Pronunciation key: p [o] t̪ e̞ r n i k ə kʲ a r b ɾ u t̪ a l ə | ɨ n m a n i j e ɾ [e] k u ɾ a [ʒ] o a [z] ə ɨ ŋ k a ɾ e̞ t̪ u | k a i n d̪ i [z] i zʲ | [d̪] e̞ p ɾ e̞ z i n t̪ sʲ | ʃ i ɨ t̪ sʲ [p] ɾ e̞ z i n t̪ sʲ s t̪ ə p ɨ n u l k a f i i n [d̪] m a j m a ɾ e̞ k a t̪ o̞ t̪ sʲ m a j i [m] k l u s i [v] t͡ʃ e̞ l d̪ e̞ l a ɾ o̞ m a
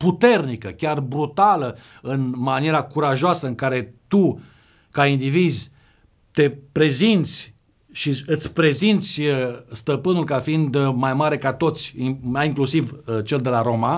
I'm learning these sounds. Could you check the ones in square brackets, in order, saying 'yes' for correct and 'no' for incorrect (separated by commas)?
no, no, yes, no, no, no, yes, yes, no, yes